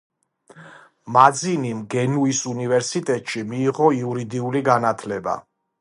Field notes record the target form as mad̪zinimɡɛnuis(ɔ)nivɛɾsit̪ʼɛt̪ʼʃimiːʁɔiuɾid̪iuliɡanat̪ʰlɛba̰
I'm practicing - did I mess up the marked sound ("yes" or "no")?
yes